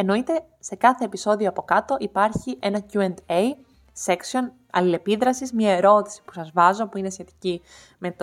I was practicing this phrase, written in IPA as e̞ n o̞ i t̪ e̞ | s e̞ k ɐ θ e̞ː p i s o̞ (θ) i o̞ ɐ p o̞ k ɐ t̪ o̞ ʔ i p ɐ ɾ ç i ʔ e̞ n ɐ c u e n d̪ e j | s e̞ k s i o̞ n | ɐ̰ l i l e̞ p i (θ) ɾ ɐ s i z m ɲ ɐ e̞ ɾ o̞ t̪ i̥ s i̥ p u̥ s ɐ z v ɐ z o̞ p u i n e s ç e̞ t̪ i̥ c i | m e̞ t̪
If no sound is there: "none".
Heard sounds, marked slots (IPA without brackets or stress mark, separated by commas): ð, ð